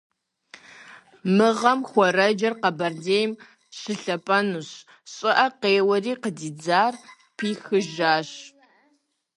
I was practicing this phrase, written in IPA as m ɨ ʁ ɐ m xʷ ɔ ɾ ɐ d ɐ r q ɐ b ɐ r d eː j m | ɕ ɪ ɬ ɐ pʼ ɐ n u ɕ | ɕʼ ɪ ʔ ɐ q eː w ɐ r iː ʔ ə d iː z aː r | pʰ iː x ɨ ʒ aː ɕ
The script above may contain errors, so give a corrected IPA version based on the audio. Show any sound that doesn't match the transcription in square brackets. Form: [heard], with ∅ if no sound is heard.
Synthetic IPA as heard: m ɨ ʁ ɐ m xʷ ɔ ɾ ɐ [d͡ʒ] ɐ r q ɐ b ɐ r d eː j m | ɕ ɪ ɬ ɐ pʼ ɐ n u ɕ | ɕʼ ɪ ʔ ɐ q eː w ɐ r iː [q] ə d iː [d͡z] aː r | pʰ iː x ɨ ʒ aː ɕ